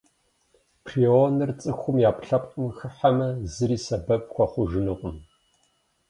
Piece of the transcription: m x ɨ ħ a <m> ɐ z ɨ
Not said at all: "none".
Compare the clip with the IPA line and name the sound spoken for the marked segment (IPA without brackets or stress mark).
m